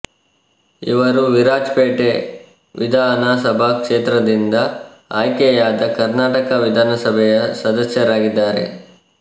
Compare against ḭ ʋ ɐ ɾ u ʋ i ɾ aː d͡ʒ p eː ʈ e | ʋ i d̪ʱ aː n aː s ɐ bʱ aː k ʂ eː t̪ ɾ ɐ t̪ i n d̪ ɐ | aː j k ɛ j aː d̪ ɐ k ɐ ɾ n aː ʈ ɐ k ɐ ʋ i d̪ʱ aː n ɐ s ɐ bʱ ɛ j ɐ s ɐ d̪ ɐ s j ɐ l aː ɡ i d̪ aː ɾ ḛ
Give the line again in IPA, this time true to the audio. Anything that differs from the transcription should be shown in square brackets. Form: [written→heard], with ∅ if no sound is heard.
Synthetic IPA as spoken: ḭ ʋ ɐ ɾ u ʋ i ɾ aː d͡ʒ p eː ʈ e | ʋ i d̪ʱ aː n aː s ɐ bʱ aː k ʂ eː t̪ ɾ ɐ [t̪→d̪] i n d̪ ɐ | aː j k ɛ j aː d̪ ɐ k ɐ ɾ n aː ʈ ɐ k ɐ ʋ i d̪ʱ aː n ɐ s ɐ bʱ ɛ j ɐ s ɐ d̪ ɐ s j ɐ [l→ɾ] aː ɡ i [d̪→d̪ː] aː ɾ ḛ

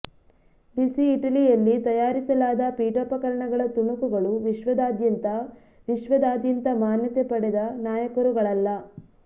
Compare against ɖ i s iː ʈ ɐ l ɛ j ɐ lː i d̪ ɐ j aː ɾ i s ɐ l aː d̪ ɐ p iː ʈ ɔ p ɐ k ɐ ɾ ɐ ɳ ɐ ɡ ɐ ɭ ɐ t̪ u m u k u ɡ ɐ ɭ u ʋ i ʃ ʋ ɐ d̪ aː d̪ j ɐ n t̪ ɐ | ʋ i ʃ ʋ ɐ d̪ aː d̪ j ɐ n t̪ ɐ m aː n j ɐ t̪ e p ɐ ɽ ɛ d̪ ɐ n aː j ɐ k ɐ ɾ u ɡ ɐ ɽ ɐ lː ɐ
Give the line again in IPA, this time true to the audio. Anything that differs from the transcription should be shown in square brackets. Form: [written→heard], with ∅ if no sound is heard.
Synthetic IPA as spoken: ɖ i s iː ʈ ɐ l [ɛ→i] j ɐ lː i [d̪→t̪] ɐ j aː ɾ i s ɐ l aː d̪ ɐ p iː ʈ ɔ p ɐ k ɐ ɾ ɐ ɳ ɐ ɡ ɐ ɭ ɐ t̪ u [m→ɳ] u k u ɡ ɐ ɭ u ʋ i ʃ ʋ ɐ d̪ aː d̪ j ɐ n t̪ ɐ | ʋ i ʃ ʋ ɐ d̪ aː d̪ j ɐ n t̪ ɐ m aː n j ɐ t̪ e p ɐ ɽ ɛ d̪ ɐ n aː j ɐ k ɐ ɾ u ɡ ɐ [ɽ→ɭ] ɐ lː ɐ

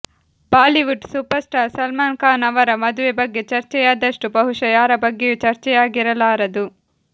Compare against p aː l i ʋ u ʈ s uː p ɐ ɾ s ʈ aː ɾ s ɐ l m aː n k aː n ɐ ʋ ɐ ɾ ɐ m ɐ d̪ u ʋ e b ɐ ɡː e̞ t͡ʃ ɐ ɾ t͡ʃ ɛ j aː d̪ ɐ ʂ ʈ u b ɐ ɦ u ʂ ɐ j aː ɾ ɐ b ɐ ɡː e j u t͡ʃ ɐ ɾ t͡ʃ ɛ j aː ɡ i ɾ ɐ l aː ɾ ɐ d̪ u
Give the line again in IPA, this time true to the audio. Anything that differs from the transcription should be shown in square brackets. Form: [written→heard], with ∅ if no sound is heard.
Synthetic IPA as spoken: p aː l i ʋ u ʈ s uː p ɐ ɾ s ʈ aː ɾ s ɐ l m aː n k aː n ɐ ʋ ɐ ɾ ɐ m ɐ d̪ u ʋ e b ɐ ɡː e̞ t͡ʃ ɐ ɾ t͡ʃ ɛ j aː d̪ ɐ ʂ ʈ u b ɐ ɦ u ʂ ɐ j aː ɾ ɐ b ɐ ɡː e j u t͡ʃ ɐ ɾ t͡ʃ ɛ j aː ɡ i ɾ ɐ l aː ɾ ɐ d̪ u

